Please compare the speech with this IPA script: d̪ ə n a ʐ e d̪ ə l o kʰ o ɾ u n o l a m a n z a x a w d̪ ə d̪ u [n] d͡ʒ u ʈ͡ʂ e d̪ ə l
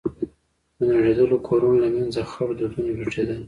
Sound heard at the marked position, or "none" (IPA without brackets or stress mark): n